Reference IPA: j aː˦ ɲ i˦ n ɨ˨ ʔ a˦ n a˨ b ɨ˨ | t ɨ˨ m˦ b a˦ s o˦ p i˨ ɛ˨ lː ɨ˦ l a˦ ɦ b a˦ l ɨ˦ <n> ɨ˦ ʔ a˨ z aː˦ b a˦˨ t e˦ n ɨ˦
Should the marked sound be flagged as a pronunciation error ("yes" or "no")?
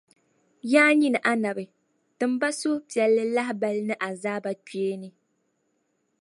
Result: no